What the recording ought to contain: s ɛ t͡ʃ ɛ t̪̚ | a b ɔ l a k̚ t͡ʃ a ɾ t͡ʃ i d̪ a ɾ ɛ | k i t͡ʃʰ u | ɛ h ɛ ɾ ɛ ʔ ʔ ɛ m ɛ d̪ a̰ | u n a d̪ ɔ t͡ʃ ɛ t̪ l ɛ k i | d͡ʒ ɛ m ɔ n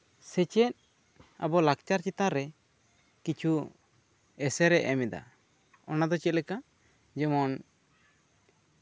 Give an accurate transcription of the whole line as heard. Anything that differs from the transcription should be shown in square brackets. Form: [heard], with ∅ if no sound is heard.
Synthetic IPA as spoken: s ɛ t͡ʃ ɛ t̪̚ | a b ɔ l a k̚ t͡ʃ a ɾ t͡ʃ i [t̪] a ɾ ɛ | k i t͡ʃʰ u | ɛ [s] ɛ ɾ ɛ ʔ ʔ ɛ m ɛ d̪ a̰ | [ɔ] n a d̪ ɔ t͡ʃ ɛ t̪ l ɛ k [a] | d͡ʒ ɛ m ɔ n

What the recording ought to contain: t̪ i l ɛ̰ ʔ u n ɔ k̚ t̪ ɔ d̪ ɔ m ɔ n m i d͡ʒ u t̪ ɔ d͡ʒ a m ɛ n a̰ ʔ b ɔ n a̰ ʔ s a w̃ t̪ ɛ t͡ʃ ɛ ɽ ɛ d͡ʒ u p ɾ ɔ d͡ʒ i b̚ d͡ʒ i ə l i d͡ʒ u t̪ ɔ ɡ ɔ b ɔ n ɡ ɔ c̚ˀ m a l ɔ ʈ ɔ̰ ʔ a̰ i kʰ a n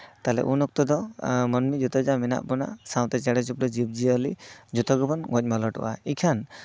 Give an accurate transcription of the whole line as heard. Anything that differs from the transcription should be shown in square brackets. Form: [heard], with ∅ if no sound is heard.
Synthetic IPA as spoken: t̪ [a] l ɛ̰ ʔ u n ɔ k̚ t̪ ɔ d̪ ɔ m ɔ n m i d͡ʒ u t̪ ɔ d͡ʒ a m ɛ n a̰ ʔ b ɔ n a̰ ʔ s a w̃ t̪ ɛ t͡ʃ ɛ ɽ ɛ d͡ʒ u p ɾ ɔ d͡ʒ i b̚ d͡ʒ i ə l i d͡ʒ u t̪ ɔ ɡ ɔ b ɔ n ɡ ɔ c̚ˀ m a l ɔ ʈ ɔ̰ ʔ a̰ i kʰ a n

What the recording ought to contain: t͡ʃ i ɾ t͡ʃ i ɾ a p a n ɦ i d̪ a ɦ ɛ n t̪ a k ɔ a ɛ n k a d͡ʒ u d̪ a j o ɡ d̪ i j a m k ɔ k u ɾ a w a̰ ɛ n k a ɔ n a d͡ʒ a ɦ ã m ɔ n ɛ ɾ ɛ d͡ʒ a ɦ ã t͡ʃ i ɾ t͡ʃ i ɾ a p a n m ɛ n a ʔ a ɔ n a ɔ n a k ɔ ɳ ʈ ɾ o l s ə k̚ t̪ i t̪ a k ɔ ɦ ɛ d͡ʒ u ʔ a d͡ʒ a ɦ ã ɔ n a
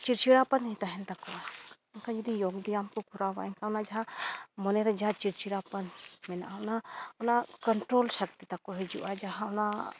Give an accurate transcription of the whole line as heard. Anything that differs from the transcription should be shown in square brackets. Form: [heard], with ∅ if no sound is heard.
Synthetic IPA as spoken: t͡ʃ i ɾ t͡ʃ i ɾ a p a n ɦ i [t̪] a ɦ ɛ n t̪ a k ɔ a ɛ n k a d͡ʒ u d̪ [i] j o ɡ d̪ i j a m k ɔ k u ɾ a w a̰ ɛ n k a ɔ n a d͡ʒ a ɦ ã m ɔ n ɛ ɾ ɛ d͡ʒ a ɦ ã t͡ʃ i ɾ t͡ʃ i ɾ a p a n m ɛ n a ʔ a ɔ n a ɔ n a k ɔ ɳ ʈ ɾ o l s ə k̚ t̪ i t̪ a k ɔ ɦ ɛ d͡ʒ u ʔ a d͡ʒ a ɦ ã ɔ n a

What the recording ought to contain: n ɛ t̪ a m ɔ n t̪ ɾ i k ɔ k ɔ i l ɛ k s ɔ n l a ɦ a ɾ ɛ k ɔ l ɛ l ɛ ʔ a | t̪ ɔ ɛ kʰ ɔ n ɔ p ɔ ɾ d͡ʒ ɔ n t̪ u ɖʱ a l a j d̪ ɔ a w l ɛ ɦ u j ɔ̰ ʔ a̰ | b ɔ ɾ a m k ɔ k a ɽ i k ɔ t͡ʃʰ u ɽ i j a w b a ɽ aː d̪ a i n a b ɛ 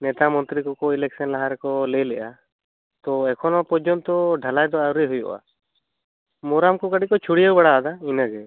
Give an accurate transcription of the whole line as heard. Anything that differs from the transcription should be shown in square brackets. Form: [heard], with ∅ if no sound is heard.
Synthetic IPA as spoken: n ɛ t̪ a m ɔ n t̪ ɾ i k ɔ k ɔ i l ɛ k s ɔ n l a ɦ a ɾ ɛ k ɔ l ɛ l ɛ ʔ a | t̪ ɔ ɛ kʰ ɔ n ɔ p ɔ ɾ d͡ʒ ɔ n t̪ [ɔ] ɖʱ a l a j d̪ ɔ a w [ɾ] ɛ ɦ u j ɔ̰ ʔ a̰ | [m] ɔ ɾ a m k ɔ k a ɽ i k ɔ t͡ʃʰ u ɽ i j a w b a ɽ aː d̪ a i n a [ɡ] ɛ

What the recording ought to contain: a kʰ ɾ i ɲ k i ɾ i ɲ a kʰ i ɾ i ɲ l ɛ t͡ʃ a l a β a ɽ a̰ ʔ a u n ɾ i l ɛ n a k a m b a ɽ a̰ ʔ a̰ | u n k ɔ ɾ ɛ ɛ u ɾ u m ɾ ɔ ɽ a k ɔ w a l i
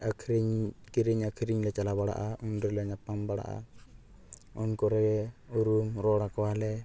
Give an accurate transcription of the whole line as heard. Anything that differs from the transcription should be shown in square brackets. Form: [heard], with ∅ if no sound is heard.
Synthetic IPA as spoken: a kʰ ɾ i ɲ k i ɾ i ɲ a kʰ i ɾ i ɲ l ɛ t͡ʃ a l a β a ɽ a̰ ʔ a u n ɾ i l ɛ [ɲ] a [p] a m b a ɽ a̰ ʔ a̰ | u n k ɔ ɾ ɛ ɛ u ɾ u m ɾ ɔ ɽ a k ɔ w a l [ɛ]

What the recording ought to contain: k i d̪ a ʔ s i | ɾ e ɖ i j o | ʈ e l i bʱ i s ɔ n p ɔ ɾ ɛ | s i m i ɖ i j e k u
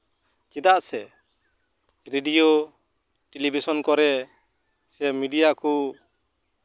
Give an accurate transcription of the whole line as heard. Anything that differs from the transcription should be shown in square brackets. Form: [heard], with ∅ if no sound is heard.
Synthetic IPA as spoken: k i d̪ a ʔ s [ɛ] | ɾ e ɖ i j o | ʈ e l i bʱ i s ɔ n [k] ɔ ɾ ɛ | s [ɛ] m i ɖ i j [a] k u

